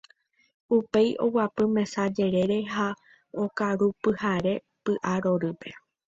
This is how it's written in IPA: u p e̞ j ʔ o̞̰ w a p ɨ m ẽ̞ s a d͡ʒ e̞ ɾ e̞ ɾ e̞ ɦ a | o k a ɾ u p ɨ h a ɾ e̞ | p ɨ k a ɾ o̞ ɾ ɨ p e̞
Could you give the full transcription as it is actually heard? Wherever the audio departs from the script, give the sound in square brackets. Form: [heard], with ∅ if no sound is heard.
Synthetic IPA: u p e̞ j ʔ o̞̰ w a p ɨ m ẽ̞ s a d͡ʒ e̞ ɾ e̞ ɾ e̞ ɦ a | o k a ɾ u p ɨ h a ɾ e̞ | p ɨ [ʔ] a ɾ o̞ ɾ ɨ p e̞